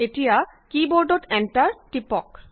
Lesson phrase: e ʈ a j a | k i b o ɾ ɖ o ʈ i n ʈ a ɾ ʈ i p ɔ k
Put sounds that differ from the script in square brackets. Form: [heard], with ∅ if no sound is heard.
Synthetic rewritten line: e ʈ [i] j a | k i b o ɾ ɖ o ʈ [ɛ] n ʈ a ɾ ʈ i p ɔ k